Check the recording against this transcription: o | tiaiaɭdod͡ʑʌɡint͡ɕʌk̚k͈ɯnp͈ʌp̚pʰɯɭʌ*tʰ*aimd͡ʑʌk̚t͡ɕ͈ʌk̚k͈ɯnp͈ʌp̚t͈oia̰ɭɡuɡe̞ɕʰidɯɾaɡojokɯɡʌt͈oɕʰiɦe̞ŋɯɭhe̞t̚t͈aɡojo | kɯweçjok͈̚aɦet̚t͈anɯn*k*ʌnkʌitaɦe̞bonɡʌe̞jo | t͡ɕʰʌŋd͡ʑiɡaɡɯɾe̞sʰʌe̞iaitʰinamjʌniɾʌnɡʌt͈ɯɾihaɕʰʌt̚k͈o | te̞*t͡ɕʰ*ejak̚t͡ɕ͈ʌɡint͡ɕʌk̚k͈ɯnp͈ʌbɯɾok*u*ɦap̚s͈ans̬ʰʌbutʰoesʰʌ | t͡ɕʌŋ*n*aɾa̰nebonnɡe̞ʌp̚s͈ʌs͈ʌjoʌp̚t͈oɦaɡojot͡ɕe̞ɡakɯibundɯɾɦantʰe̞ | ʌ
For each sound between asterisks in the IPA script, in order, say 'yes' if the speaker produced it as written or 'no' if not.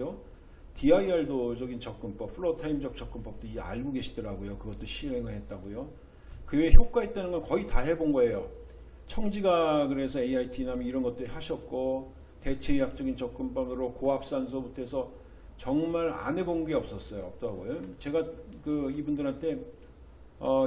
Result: yes, no, yes, no, no

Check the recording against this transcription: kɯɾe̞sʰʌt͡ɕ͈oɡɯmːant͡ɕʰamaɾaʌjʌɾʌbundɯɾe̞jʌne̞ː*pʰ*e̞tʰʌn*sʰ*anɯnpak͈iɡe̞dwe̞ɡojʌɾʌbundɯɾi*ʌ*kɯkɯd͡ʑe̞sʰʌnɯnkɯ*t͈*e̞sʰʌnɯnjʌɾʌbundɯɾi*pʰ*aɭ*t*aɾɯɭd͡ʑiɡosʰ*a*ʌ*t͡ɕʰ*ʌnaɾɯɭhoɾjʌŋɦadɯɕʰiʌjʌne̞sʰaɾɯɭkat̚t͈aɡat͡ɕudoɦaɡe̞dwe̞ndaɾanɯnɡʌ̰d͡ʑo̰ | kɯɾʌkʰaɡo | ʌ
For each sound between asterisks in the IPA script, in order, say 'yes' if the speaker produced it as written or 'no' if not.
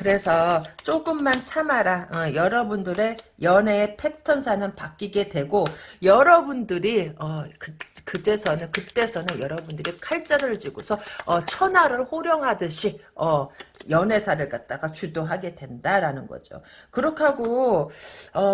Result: yes, yes, yes, yes, no, no, no, yes

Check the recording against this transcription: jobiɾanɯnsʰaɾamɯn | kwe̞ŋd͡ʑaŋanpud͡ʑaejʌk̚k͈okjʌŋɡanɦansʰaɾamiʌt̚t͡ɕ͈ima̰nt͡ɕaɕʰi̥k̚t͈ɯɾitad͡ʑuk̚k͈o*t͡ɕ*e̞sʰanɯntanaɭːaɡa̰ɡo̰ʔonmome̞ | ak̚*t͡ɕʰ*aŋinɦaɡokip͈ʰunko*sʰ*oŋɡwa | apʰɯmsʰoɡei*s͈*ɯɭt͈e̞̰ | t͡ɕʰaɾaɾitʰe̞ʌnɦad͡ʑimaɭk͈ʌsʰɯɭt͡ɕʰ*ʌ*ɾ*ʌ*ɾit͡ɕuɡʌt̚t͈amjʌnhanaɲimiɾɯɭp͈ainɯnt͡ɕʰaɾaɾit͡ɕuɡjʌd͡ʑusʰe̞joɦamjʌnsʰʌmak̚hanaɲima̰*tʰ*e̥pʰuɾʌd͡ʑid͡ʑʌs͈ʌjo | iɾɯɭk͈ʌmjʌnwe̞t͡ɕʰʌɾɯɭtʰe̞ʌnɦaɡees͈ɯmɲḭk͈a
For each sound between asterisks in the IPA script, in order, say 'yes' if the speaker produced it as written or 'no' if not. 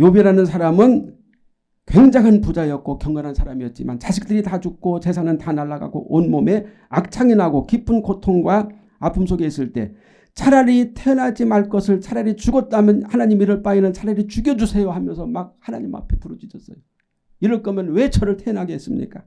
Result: yes, yes, no, yes, no, no, no

